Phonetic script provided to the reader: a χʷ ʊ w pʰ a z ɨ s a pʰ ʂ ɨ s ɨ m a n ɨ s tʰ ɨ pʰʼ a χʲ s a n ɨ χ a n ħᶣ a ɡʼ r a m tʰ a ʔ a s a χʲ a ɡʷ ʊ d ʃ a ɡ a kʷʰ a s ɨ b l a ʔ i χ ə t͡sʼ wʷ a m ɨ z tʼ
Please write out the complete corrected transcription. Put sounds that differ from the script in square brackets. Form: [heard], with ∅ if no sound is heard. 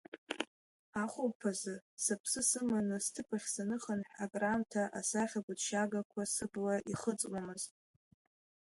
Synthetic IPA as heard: a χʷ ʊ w pʰ a z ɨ s a pʰ [s] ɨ s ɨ m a n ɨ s tʰ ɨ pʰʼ a χʲ s a n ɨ χ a n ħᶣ a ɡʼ r a m tʰ a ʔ a s a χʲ a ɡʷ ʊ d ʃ a ɡ a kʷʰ a s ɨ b l a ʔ i χ ə t͡sʼ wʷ a m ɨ z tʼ